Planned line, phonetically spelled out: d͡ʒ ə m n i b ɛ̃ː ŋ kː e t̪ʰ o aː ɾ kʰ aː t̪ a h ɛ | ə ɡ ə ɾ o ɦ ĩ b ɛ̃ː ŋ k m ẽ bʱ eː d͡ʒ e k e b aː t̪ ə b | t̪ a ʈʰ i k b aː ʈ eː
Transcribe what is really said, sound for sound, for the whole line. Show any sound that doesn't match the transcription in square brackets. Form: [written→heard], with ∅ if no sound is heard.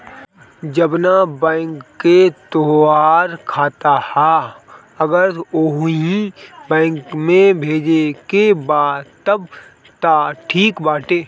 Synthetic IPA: d͡ʒ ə [m→b] n [i→a] b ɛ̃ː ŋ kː e [t̪ʰ→t̪] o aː ɾ kʰ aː t̪ a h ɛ | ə ɡ ə ɾ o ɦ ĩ b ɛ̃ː ŋ k m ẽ bʱ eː d͡ʒ e k e b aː t̪ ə b | t̪ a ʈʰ [i→iː] k b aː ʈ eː

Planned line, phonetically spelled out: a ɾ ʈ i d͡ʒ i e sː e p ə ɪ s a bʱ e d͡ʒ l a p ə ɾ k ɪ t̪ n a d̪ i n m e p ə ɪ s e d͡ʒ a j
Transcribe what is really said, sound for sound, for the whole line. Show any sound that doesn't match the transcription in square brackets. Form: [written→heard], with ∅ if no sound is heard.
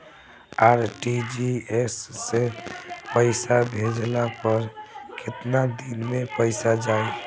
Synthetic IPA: a ɾ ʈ i d͡ʒ i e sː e p ə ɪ s a bʱ e d͡ʒ l a p ə ɾ k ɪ t̪ n a d̪ i n m e p ə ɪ s [e→a] d͡ʒ a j

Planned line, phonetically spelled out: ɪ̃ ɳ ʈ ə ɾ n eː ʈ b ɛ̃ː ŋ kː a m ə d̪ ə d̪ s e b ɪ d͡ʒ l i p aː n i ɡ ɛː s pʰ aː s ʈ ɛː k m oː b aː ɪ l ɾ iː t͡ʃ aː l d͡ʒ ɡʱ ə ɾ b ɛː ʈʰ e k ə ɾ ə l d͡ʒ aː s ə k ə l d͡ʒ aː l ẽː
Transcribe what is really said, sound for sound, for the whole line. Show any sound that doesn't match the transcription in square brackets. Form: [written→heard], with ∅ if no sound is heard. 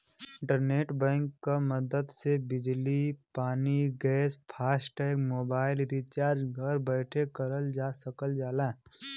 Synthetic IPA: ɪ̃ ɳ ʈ ə ɾ n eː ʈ b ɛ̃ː ŋ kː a m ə d̪ ə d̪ s e b ɪ d͡ʒ l i p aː n i ɡ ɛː s pʰ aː s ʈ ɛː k m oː b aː ɪ l ɾ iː t͡ʃ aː [l→ɾ] d͡ʒ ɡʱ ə ɾ b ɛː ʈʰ e k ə ɾ ə l d͡ʒ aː s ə k ə l d͡ʒ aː l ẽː

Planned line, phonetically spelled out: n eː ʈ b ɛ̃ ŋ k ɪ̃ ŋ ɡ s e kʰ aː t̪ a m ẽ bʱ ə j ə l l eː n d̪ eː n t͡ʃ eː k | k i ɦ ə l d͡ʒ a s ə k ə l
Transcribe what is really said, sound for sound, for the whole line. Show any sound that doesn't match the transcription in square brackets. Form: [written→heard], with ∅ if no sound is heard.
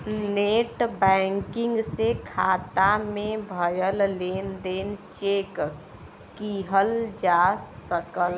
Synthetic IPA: n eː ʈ b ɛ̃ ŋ k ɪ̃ ŋ ɡ s e kʰ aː t̪ a m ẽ bʱ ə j ə l l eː n d̪ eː n t͡ʃ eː k | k i ɦ ə l d͡ʒ a s ə k ə l

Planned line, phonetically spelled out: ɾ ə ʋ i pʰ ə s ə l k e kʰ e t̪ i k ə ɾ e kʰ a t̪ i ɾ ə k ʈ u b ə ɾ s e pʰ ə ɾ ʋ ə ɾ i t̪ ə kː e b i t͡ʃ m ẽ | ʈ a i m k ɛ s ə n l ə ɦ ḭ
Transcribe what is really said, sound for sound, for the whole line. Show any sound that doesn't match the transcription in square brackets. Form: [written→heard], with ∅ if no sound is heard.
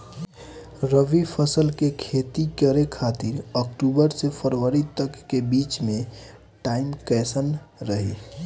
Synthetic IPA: ɾ ə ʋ i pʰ ə s ə l k e kʰ e t̪ i k ə ɾ e kʰ a t̪ i ɾ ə k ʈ u b ə ɾ s e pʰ ə ɾ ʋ ə ɾ i t̪ ə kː e b i t͡ʃ m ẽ | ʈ a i m k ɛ s ə n [l→ɾ] ə ɦ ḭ

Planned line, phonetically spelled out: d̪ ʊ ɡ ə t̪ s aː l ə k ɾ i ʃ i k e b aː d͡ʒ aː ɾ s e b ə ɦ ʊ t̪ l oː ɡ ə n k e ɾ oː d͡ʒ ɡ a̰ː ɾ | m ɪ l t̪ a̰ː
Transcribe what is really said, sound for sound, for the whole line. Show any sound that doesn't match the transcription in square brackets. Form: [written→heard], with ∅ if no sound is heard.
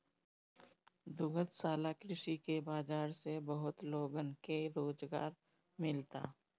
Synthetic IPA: d̪ ʊ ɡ ə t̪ s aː l [ə→a] k ɾ [i→ɪ] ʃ i k e b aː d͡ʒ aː ɾ s e b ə ɦ ʊ t̪ l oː ɡ ə n k e ɾ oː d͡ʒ ɡ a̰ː ɾ | m ɪ l t̪ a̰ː

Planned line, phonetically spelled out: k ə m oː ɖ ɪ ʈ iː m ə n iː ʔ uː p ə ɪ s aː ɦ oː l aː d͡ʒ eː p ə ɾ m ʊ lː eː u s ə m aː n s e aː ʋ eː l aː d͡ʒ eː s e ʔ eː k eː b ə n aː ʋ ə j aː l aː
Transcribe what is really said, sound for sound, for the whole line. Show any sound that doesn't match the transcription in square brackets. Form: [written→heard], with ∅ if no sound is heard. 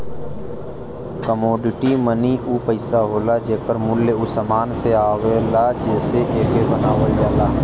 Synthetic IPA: k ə m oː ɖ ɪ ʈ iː m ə n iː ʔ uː p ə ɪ s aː ɦ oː l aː d͡ʒ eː [p→k] ə ɾ m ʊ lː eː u s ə m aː n s e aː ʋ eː l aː d͡ʒ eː s e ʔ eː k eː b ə n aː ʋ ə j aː l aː

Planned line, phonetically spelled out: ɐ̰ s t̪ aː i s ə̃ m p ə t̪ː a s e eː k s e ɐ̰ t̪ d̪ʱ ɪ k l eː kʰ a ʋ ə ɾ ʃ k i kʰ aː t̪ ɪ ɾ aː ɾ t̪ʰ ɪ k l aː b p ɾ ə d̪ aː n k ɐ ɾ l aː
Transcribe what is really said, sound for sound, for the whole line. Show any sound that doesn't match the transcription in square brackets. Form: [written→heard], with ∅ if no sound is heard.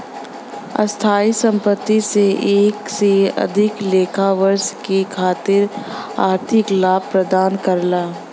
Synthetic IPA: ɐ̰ s [t̪→t̪ʰ] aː i s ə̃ m p ə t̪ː [a→i] s e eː k s e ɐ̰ [t̪→∅] d̪ʱ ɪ k l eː kʰ a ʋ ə ɾ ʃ k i kʰ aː t̪ ɪ ɾ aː ɾ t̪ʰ ɪ k l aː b p ɾ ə d̪ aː n k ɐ ɾ l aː

